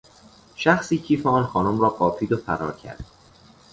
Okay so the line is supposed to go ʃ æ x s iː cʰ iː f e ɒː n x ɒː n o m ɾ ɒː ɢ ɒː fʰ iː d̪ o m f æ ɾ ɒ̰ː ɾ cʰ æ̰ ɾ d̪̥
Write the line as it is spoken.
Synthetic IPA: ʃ æ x s iː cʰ iː f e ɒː n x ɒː n o m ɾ ɒː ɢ ɒː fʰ iː d̪ o f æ ɾ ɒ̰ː ɾ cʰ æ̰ ɾ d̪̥